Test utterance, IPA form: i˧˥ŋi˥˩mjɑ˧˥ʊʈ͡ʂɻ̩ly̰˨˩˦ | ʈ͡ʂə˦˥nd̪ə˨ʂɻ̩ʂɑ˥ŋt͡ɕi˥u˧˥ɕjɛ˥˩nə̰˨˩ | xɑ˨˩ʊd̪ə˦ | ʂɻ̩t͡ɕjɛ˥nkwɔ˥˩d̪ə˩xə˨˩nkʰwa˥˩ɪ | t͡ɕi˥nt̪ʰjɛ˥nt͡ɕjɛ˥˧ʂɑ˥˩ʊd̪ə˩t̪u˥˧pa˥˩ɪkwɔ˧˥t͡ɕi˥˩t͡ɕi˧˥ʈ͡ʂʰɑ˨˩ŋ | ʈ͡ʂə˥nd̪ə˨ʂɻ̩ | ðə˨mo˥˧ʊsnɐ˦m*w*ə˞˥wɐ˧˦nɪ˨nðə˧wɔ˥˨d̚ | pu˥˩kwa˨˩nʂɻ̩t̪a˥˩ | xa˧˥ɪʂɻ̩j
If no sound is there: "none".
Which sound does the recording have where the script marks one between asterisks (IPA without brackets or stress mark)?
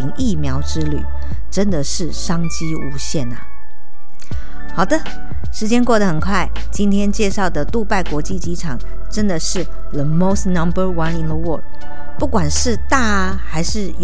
b